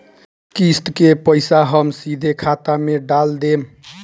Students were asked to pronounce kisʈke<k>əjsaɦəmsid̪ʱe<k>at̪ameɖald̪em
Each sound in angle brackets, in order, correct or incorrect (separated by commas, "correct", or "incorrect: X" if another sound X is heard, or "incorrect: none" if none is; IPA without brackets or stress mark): incorrect: p, incorrect: kʰ